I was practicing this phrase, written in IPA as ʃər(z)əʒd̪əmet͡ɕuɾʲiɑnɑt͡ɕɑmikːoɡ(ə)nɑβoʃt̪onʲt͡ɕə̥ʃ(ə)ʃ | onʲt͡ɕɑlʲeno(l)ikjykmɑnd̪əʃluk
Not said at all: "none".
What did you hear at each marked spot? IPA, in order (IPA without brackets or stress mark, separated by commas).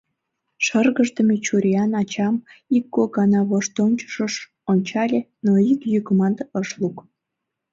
ɣ, ɑ, ə, none